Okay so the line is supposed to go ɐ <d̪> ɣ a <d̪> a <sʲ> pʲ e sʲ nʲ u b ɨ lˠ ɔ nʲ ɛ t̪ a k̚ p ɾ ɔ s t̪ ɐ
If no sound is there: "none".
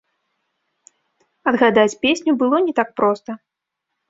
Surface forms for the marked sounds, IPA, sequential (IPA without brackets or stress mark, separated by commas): d̪, d̪, t͡sʲ